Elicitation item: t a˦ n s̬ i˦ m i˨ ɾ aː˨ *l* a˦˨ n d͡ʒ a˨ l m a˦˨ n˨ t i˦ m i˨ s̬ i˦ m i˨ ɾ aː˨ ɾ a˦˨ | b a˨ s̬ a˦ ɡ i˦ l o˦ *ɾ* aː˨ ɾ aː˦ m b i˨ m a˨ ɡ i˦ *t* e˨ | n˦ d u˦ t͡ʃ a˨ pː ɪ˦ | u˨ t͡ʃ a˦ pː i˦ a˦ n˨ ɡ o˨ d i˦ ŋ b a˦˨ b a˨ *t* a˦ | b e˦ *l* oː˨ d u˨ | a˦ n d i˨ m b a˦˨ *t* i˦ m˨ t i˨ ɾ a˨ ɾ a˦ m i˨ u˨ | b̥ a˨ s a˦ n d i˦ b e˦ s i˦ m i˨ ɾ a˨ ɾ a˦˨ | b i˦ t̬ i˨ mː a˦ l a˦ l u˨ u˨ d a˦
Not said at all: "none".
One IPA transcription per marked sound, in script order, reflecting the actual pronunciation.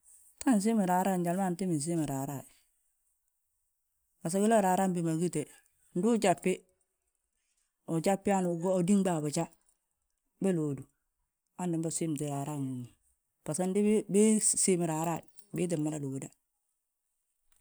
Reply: ɾ, ɾ, t, t͡ʃ, l, s

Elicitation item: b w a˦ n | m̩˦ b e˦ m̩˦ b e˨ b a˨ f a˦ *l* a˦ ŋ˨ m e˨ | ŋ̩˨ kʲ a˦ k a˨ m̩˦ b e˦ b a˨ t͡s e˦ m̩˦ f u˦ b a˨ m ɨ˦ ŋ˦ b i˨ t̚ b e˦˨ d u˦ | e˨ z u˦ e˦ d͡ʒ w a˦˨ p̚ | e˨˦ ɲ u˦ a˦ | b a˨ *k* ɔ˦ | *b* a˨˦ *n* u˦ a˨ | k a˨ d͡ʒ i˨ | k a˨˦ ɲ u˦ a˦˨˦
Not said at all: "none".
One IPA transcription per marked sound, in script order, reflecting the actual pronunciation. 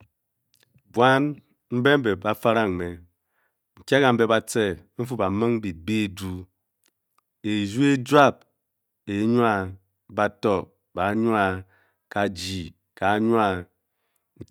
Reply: ɾ, t, b, ɲ

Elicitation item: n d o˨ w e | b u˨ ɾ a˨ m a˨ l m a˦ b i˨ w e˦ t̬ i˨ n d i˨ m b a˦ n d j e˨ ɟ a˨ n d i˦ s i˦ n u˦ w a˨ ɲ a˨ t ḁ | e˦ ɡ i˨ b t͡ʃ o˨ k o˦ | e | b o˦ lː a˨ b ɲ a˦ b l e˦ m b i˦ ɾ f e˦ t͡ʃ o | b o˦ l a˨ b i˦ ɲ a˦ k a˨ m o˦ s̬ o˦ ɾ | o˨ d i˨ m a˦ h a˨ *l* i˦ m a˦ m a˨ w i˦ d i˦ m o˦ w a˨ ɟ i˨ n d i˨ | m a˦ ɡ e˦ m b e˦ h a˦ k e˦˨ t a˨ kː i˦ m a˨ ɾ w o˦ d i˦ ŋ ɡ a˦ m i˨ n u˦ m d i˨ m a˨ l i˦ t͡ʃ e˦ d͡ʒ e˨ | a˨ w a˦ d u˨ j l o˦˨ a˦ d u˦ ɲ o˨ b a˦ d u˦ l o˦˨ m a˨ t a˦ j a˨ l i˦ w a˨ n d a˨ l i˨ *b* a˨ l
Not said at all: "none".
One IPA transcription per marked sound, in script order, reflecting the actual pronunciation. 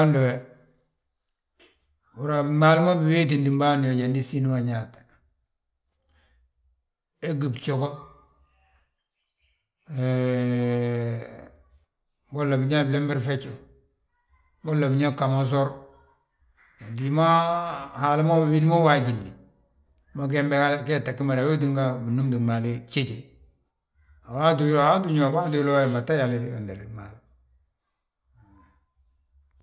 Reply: l, m

